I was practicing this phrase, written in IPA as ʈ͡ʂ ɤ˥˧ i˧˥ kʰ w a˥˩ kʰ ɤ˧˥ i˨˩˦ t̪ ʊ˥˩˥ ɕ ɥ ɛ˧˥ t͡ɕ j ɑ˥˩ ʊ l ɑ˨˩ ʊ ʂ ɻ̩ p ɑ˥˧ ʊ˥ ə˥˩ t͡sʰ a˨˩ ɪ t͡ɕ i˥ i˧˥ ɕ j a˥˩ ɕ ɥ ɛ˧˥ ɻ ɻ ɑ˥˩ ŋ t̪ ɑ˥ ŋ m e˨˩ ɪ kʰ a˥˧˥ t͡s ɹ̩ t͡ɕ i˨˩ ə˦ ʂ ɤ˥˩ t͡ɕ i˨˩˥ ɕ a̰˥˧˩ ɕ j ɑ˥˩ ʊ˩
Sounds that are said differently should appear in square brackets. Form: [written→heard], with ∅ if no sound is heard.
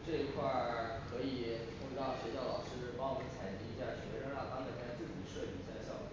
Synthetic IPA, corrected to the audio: ʈ͡ʂ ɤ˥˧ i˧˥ kʰ w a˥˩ kʰ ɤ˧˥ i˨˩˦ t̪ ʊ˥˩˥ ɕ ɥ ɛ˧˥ t͡ɕ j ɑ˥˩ ʊ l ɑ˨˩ ʊ ʂ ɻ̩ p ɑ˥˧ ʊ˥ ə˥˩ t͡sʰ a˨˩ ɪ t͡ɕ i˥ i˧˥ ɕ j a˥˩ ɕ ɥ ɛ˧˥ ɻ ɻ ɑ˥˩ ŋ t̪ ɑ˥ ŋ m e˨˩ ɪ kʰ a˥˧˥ t͡s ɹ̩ t͡ɕ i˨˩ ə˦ ʂ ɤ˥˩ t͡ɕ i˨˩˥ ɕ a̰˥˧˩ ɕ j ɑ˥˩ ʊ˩